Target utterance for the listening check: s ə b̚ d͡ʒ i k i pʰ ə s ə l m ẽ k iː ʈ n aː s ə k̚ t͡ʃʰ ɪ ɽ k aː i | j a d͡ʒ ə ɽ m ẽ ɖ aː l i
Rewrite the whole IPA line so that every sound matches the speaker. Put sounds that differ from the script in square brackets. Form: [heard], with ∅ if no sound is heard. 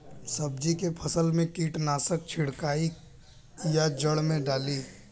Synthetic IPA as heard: s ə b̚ d͡ʒ i k [e] pʰ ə s ə l m ẽ k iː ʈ n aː s ə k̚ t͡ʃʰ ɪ ɽ k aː i | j a d͡ʒ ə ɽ m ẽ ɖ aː l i